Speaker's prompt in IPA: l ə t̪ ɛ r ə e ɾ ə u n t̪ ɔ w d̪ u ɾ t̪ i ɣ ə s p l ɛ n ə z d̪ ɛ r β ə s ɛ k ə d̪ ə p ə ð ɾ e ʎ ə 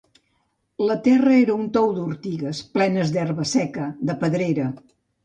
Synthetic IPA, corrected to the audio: l ə t̪ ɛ r ə e ɾ ə u n t̪ ɔ w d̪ u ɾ t̪ i ɣ ə s p l ɛ n ə z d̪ ɛ r β ə s ɛ k ə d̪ ə p ə ð ɾ e ɾ ə